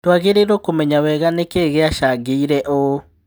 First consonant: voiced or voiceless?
voiceless